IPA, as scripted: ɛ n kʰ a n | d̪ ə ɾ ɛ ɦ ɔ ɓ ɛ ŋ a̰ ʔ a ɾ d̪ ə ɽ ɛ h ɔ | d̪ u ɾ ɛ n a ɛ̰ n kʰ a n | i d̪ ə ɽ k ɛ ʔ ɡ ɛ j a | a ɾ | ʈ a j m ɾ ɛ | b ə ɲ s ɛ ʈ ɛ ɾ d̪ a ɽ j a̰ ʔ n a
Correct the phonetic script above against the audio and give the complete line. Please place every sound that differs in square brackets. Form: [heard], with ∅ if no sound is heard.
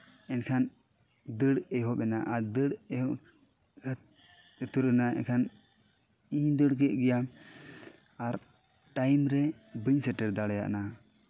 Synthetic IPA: ɛ n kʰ a n | d̪ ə [ɽ] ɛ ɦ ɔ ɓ ɛ [n] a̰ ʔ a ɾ d̪ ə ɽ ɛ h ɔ | [t̪] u ɾ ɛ n a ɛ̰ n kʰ a n | i d̪ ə ɽ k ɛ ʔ ɡ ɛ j a | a ɾ | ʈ a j m ɾ ɛ | b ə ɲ s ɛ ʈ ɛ ɾ d̪ a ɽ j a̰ ʔ n a